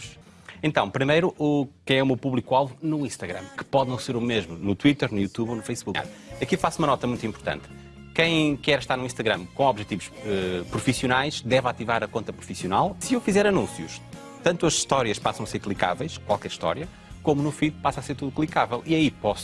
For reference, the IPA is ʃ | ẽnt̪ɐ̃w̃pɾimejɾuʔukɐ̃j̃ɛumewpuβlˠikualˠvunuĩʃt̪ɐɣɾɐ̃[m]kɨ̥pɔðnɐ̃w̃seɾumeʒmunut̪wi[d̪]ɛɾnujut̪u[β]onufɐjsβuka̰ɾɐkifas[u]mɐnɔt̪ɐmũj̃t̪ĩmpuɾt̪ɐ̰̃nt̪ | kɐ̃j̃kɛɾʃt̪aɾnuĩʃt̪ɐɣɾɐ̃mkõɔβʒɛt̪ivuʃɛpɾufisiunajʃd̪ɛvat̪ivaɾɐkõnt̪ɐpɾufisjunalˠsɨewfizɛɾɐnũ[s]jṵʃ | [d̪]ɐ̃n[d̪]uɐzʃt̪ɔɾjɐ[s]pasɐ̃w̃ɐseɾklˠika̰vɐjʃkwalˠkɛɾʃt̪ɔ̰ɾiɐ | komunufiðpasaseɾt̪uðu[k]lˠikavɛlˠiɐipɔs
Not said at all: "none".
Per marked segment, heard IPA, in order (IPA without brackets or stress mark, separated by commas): m, t̪, β, u, s, t̪, t̪, ʃ, k